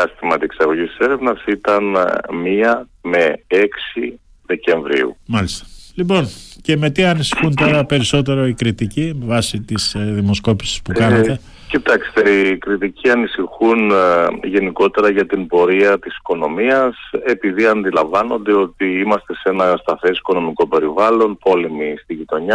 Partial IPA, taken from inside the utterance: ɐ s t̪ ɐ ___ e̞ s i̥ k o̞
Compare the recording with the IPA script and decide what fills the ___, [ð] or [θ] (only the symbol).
θ